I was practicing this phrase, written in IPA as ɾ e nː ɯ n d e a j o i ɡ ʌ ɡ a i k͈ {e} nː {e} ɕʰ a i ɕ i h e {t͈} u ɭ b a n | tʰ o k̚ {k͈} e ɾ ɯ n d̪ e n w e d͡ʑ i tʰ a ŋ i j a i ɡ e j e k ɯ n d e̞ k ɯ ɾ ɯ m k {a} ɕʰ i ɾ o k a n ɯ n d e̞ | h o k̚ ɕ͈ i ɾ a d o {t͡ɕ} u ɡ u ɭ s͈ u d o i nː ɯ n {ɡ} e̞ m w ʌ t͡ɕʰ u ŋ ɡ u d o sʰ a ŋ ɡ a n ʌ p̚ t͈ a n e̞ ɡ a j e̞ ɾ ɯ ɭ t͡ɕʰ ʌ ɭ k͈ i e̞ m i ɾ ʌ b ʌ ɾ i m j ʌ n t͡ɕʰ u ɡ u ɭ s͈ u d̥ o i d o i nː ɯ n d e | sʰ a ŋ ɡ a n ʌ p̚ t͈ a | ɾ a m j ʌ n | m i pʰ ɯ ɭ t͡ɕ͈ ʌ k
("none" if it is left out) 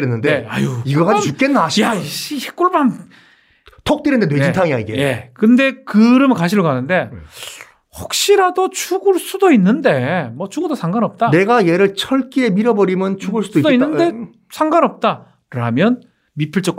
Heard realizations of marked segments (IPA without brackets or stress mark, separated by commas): e, a, k͈, t͈, a, t͡ɕʰ, d